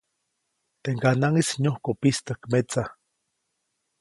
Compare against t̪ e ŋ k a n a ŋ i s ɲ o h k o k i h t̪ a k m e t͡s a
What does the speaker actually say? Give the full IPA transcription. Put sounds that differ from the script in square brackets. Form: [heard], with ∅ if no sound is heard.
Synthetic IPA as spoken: t̪ e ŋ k a n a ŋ i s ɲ o h k o [p] i [s] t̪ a k m e t͡s a